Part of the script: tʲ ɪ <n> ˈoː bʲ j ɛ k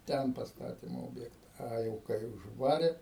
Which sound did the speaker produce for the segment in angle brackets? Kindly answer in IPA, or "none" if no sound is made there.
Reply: m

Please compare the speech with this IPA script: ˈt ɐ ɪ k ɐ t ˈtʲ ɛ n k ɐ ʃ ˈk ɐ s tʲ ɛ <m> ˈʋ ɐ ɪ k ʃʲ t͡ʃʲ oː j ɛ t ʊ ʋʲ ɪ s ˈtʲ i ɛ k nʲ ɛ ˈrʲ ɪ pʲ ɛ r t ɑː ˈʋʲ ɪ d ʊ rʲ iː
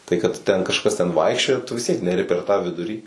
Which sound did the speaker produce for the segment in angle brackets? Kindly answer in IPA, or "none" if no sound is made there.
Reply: n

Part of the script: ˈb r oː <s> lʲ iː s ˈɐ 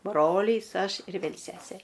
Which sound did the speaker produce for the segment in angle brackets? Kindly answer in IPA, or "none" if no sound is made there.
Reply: none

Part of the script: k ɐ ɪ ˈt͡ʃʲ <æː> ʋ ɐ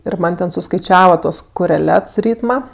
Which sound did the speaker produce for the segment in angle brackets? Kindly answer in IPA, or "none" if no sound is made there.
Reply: æː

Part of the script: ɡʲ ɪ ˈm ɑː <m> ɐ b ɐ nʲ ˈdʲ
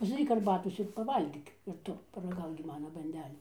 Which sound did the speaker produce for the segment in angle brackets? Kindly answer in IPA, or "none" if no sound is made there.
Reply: n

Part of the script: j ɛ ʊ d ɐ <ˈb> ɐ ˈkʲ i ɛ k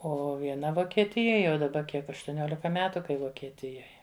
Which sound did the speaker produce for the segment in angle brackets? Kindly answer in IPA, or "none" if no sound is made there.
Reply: b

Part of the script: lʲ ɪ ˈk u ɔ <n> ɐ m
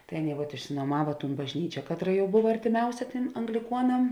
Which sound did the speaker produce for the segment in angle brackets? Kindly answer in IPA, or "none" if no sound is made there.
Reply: n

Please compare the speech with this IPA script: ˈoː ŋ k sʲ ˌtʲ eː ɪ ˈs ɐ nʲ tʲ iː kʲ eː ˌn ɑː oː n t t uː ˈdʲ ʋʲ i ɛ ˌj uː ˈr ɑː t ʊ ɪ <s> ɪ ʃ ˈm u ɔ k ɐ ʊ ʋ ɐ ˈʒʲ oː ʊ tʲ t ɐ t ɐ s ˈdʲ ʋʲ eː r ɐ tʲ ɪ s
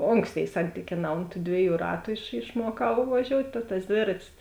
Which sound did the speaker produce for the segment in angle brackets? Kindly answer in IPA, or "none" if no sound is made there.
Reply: ʃ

